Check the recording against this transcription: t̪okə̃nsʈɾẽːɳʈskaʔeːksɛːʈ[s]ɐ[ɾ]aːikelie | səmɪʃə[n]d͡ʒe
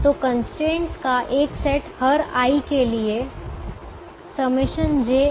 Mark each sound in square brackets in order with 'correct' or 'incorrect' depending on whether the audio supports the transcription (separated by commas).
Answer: incorrect, correct, correct